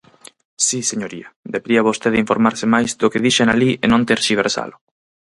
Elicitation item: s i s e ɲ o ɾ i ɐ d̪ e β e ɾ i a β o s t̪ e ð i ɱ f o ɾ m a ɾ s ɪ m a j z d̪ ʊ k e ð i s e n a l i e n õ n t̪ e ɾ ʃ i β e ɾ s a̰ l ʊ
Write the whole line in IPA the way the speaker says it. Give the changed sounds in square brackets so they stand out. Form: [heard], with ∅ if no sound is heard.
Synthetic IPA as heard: s i s e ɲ o ɾ i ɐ d̪ e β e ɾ i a β o s t̪ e ð i ɱ f o ɾ m a ɾ s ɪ m a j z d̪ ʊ k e ð i [ʃ] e n a l i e n õ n t̪ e ɾ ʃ i β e ɾ s a̰ l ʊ